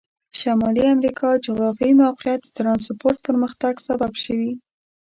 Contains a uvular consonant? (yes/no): yes